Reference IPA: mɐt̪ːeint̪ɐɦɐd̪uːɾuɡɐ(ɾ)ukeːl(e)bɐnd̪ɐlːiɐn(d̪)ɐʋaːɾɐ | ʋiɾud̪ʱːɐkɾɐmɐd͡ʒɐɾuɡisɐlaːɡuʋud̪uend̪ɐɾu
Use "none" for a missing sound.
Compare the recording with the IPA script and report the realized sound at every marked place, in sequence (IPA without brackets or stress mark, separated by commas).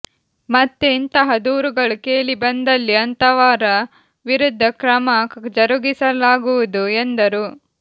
ɭ, i, t̪